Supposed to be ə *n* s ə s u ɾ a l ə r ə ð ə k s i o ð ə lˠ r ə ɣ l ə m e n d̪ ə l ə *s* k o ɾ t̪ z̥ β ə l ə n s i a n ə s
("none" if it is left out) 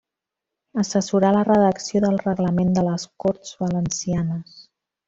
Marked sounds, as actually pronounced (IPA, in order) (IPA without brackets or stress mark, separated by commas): none, s